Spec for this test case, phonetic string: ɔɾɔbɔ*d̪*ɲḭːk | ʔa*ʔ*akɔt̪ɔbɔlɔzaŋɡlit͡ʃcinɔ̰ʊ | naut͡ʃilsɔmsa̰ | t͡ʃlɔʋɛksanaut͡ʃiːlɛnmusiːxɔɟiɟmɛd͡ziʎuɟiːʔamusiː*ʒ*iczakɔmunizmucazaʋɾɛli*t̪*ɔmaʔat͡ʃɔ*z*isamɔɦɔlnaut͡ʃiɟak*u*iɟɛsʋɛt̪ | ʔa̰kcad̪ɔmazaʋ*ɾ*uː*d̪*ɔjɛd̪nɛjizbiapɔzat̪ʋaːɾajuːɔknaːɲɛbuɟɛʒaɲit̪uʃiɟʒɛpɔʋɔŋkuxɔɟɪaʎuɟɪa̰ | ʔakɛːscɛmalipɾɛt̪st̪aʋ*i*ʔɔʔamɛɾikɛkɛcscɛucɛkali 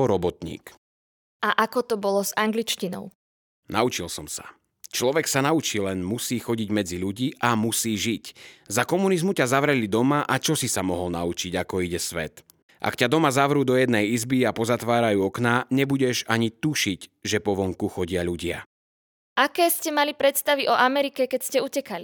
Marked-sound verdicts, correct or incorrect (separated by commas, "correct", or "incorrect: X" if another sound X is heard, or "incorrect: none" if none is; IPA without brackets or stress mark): incorrect: t̪, correct, correct, incorrect: d̪, incorrect: s, incorrect: ɔ, correct, correct, correct